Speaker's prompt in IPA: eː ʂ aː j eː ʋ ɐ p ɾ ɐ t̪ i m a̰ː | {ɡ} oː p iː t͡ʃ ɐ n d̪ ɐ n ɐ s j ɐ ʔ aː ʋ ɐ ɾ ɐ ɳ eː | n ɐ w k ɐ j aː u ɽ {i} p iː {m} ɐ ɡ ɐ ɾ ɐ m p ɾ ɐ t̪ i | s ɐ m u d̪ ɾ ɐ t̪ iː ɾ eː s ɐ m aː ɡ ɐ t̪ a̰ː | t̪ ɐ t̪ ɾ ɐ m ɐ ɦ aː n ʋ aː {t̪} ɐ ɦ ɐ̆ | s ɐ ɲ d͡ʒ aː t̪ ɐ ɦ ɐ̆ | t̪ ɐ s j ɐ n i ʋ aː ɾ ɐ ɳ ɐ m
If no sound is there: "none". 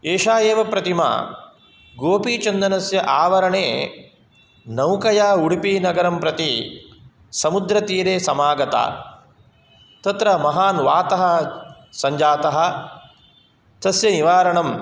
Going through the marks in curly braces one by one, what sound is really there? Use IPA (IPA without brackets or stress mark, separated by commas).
ɡ, i, n, t̪